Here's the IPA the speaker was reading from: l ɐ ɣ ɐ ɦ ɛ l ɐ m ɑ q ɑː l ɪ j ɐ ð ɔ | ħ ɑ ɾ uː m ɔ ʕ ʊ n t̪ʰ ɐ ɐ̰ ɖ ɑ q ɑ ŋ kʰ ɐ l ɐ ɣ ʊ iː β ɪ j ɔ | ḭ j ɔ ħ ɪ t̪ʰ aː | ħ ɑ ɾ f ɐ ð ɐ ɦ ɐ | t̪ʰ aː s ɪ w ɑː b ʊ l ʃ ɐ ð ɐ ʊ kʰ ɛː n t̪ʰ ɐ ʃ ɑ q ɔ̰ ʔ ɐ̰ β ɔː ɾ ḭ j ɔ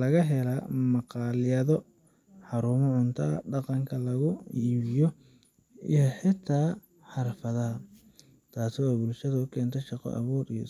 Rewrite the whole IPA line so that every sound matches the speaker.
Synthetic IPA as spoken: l ɐ ɣ ɐ ɦ ɛ l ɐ m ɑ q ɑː l ɪ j ɐ ð ɔ | ħ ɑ ɾ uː m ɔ ʕ ʊ n t̪ʰ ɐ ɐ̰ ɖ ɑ q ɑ ŋ kʰ ɐ l ɐ ɣ ʊ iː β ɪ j ɔ | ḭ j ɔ ħ ɪ t̪ʰ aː | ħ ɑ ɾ f ɐ ð ɐ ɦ ɐ | t̪ʰ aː s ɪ w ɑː b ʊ l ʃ ɐ ð ɐ ʊ kʰ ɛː n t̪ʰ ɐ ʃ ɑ q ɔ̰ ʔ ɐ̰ β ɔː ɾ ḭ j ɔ

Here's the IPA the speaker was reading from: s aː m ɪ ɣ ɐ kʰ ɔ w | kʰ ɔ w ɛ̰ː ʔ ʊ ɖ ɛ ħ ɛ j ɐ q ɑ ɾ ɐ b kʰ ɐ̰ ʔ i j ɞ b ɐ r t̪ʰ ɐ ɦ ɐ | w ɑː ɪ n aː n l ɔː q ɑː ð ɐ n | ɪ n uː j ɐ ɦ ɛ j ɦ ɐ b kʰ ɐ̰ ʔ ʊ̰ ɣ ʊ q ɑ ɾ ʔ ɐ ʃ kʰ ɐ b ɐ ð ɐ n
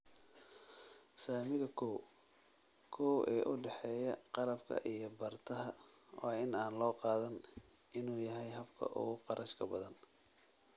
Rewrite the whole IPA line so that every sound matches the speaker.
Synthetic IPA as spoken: s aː m ɪ ɣ ɐ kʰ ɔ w | kʰ ɔ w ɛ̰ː ʔ ʊ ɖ ɛ ħ ɛː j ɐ q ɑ l ɐ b kʰ ɐ̰ ʔ i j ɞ b ɐ r t̪ʰ ɐ ɦ ɐ | w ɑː ɪ n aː n l ɔː q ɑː ð ɐ n | ɪ n uː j ɐ ɦ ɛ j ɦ ɐ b kʰ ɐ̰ ʔ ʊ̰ ɣ ʊ q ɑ ɾ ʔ ɐ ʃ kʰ ɐ b ɐ ð ɐ n

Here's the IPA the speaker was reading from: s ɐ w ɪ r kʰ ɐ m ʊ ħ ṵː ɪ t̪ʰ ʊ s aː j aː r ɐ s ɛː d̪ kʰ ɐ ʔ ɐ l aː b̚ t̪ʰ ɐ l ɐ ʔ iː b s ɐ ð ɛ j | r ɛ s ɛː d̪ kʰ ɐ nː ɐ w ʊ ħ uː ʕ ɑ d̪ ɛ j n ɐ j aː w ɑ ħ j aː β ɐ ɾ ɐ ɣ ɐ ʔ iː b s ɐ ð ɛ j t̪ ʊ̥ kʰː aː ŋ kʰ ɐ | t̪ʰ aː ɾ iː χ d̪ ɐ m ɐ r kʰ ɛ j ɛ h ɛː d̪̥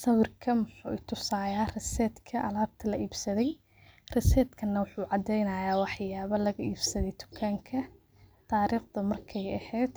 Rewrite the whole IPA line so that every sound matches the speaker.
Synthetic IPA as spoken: s ɐ w ɪ r kʰ ɐ m ʊ ħ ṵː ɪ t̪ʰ ʊ s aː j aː r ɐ s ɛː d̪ kʰ ɐ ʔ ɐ l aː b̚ t̪ʰ ɐ l ɐ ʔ iː b s ɐ ð ɛ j | r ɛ s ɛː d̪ kʰ ɐ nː ɐ w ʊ ħ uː ʕ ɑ d̪ ɛ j n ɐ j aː w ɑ ħ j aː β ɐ l ɐ ɣ ɐ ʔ iː b s ɐ ð ɛ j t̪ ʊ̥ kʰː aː ŋ kʰ ɐ | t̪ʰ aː ɾ iː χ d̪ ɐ m ɐ r kʰ ɛ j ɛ h ɛː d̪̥

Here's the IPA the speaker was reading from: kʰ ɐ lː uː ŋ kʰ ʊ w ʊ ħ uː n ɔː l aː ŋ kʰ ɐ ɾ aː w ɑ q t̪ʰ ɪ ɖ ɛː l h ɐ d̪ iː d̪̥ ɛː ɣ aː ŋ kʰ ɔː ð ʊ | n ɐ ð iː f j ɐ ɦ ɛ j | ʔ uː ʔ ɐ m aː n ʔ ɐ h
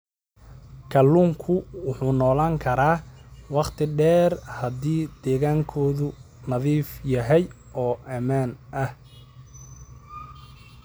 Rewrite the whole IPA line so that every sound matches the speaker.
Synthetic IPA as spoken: kʰ ɐ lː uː ŋ kʰ ʊ w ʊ ħ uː n ɔː l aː ŋ kʰ ɐ ɾ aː w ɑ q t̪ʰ ɪ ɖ ɛː r h ɐ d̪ iː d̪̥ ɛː ɣ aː ŋ kʰ ɔː ð ʊ | n ɐ ð iː f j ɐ ɦ ɛ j | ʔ ɔː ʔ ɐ m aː n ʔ ɐ h

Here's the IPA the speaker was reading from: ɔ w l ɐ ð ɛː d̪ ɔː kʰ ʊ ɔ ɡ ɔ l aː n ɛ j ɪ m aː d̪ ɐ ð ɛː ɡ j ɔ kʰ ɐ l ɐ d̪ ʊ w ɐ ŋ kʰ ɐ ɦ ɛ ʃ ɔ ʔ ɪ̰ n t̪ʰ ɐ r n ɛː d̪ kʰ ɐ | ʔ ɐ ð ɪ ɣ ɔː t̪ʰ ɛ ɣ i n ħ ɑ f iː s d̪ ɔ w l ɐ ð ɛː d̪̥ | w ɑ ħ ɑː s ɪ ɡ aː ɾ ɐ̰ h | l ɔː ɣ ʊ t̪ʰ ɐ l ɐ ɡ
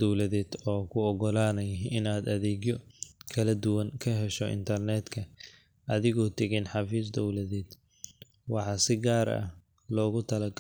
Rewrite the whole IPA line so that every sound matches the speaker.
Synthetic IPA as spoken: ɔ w l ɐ ð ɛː d̪ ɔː kʰ ʊ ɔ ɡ ɔ l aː n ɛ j ɪ n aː d̪ ɐ ð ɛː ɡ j ɔ kʰ ɐ l ɐ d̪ ʊ w ɐ ŋ kʰ ɐ ɦ ɛ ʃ ɔ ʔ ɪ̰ n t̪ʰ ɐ r n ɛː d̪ kʰ ɐ | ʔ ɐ ð ɪ ɣ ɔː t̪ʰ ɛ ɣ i n ħ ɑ f iː s d̪ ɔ w l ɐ ð ɛː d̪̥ | w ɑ ħ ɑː s ɪ ɡ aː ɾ ɐ̰ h | l ɔː ɣ ʊ t̪ʰ ɐ l ɐ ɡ

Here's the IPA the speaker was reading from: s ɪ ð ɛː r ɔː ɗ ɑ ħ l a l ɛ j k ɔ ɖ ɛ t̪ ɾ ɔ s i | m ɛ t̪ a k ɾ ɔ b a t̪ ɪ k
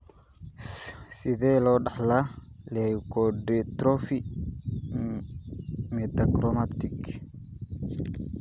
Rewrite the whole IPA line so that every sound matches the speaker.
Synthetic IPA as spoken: s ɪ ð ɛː l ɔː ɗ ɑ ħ l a l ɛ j k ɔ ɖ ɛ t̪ ɾ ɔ f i | m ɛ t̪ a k ɾ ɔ m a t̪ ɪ k

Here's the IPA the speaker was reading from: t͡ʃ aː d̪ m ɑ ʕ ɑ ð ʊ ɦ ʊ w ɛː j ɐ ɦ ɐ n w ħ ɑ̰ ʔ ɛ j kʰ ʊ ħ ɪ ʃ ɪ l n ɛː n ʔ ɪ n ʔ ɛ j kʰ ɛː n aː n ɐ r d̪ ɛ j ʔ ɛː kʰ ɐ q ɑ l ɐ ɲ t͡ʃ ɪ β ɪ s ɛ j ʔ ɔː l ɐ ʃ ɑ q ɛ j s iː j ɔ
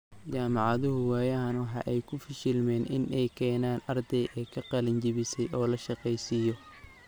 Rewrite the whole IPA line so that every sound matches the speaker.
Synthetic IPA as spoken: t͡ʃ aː m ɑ ʕ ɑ ð ʊ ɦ ʊ w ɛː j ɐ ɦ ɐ n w ħ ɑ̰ ʔ ɛ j kʰ ʊ f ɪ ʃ ɪ l m ɛː n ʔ ɪ n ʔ ɛ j kʰ ɛː n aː n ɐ r d̪ ɛ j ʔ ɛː kʰ ɐ q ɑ l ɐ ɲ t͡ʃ ɪ β ɪ s ɛ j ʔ ɔː l ɐ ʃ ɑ q ɛ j s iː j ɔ

